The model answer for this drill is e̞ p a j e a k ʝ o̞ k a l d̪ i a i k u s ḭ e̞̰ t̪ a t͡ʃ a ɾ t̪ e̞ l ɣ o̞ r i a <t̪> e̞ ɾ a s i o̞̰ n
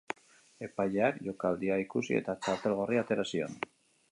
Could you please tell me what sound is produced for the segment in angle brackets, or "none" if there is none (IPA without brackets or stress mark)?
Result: t̪